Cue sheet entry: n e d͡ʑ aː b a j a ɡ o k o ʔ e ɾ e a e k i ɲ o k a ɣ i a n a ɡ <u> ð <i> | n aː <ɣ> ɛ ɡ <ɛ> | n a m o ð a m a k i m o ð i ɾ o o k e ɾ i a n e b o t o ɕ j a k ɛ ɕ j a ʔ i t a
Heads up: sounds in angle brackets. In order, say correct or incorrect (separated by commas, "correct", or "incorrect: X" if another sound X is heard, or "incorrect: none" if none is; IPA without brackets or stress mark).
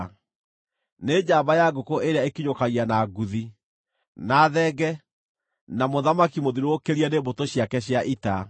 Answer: correct, correct, incorrect: ð, correct